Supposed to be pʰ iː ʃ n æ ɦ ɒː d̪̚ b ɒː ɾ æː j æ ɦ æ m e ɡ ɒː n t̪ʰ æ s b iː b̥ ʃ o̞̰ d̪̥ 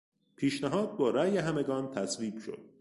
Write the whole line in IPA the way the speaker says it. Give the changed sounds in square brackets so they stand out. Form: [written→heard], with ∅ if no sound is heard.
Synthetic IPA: pʰ iː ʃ n æ ɦ ɒː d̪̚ b ɒː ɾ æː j [æ→e] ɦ æ m e ɡ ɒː n t̪ʰ æ s [b→v] iː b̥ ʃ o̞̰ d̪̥